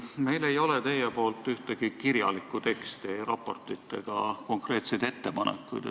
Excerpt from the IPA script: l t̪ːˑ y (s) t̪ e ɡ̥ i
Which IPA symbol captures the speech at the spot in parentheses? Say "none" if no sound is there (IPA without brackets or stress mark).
h